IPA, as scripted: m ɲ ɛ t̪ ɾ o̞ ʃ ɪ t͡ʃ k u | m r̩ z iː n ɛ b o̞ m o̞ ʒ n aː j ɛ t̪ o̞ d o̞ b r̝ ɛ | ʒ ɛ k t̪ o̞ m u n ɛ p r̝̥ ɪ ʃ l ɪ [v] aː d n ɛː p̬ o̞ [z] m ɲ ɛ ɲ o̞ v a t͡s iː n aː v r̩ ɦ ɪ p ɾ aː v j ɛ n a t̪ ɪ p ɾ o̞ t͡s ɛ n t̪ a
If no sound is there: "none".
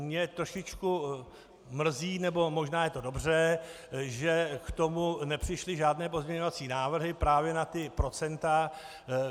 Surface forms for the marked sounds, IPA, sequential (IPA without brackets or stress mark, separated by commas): ʒ, z